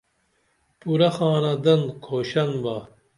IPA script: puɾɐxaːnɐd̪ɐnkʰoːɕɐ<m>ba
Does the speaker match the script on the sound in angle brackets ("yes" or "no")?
no